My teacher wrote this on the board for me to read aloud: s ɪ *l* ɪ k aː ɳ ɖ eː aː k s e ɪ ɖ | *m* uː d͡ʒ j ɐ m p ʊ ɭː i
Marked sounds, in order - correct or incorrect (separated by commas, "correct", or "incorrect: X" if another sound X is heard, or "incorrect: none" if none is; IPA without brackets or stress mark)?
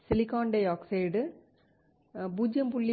correct, incorrect: b